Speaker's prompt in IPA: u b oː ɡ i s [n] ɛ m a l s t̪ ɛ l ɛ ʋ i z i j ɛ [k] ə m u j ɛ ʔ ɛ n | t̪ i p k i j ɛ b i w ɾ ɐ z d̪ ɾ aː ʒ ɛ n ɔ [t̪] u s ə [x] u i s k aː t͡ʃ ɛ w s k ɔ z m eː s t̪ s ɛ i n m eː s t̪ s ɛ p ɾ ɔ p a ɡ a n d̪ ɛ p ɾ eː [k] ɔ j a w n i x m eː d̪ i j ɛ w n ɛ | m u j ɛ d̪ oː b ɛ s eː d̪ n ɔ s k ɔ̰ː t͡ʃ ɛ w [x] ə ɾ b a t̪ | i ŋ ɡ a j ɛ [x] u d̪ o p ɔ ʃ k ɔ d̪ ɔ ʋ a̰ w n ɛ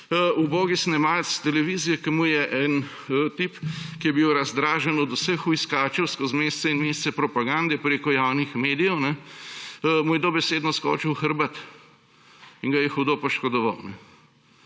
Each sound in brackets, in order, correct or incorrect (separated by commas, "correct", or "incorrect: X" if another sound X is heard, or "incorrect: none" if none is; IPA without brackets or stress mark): correct, correct, incorrect: d̪, correct, correct, correct, correct